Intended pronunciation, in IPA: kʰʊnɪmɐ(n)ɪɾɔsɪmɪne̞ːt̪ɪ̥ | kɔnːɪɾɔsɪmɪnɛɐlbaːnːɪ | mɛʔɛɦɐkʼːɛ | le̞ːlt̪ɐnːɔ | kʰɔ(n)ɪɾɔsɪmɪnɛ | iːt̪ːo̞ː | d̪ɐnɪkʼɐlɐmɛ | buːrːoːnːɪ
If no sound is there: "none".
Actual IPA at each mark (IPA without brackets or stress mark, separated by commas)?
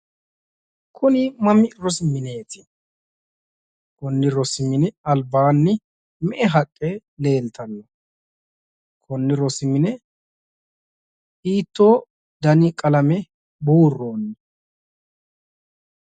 m, nː